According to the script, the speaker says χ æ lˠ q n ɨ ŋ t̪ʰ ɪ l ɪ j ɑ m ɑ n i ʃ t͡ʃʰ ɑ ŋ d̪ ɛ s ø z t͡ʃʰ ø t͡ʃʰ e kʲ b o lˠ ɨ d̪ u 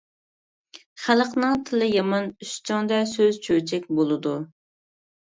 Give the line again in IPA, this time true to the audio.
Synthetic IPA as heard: χ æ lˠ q n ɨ ŋ t̪ʰ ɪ l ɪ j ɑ m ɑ n y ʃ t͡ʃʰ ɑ ŋ d̪ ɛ s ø z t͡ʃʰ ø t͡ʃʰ ɛ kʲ b o lˠ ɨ d̪ u